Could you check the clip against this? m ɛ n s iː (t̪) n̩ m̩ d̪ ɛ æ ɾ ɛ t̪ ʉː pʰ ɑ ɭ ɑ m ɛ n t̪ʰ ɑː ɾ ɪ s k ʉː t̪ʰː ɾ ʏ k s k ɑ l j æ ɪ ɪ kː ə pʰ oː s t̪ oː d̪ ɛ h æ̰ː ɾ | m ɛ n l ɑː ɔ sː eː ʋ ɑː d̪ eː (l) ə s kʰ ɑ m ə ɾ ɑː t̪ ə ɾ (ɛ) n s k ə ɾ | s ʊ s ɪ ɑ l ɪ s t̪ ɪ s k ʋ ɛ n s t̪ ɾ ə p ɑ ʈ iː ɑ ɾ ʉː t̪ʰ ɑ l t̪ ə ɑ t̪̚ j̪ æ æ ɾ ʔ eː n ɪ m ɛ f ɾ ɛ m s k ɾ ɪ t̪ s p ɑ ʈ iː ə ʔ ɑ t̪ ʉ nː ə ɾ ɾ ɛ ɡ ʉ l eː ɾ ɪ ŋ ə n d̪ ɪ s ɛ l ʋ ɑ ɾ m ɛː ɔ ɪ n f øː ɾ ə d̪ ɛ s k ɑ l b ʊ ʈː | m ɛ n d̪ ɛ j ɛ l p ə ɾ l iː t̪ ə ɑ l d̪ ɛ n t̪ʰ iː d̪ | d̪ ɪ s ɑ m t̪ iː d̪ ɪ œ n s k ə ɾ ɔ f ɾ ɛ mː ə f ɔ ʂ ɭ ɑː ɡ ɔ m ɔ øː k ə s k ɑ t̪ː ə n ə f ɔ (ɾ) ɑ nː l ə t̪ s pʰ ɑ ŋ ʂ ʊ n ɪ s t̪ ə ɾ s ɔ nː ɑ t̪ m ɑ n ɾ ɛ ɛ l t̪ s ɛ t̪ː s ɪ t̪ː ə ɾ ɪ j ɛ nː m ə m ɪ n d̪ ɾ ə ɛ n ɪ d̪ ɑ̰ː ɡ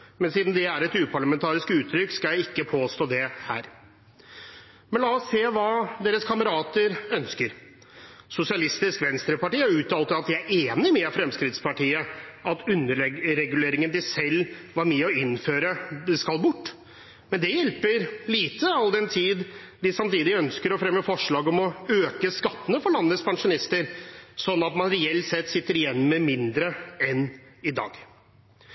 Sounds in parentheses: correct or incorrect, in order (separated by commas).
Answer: incorrect, incorrect, incorrect, incorrect